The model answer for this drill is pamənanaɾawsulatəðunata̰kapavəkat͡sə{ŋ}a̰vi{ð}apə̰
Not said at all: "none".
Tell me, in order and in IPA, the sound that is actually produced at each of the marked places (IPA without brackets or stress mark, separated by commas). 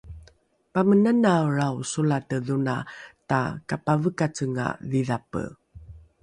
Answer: ŋ, ð